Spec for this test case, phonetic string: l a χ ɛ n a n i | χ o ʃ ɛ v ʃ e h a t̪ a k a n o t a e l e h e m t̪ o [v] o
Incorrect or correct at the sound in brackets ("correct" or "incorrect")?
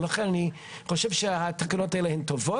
correct